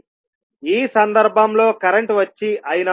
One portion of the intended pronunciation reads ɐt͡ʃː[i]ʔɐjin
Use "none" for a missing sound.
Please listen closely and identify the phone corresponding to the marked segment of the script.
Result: i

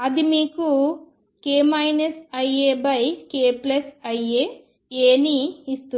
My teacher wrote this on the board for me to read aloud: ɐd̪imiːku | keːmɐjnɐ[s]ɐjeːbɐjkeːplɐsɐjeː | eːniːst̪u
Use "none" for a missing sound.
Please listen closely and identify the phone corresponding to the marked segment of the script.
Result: s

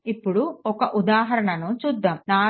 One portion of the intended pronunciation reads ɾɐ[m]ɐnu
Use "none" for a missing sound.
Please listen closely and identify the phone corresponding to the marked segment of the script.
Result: ɳ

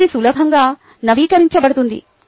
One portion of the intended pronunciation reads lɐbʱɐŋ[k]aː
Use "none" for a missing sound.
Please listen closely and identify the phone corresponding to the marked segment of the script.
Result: ɡ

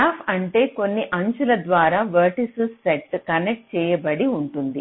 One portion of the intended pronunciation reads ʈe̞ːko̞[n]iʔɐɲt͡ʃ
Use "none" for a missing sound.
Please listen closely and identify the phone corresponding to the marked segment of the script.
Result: nː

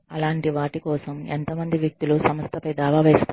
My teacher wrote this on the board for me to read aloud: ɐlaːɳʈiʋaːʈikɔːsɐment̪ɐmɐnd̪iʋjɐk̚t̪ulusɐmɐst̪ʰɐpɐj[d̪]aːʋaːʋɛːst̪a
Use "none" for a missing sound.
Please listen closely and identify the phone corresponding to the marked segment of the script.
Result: d̪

